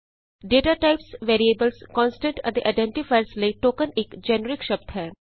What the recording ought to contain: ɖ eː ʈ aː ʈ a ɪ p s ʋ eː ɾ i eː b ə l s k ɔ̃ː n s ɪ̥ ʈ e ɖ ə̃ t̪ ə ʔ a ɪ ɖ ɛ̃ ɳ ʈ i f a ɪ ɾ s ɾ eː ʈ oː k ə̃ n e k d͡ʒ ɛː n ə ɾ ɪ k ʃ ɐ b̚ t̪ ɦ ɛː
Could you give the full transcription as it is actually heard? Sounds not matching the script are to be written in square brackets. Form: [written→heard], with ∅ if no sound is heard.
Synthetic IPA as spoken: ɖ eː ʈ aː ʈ a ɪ p s ʋ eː ɾ i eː b ə l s k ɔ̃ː n s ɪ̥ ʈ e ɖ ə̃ [t̪→d̪] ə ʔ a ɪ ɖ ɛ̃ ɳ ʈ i f a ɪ ɾ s [ɾ→l] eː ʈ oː k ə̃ n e k d͡ʒ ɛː n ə ɾ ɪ k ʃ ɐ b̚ t̪ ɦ ɛː